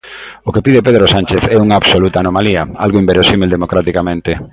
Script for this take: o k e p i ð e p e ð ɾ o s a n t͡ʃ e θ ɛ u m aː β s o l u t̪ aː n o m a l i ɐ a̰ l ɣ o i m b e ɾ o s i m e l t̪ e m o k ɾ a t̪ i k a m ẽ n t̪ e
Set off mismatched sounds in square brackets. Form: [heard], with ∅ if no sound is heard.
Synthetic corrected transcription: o k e p i ð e p e ð ɾ o s a n t͡ʃ e θ ɛ u [ŋ] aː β s o l u t̪ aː n o m a l i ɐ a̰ l ɣ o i m b e ɾ o s i m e l [d̪] e m o k ɾ a t̪ i k a m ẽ n t̪ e